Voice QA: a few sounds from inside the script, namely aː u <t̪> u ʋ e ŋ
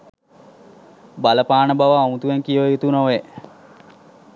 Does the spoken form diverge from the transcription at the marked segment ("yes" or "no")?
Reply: no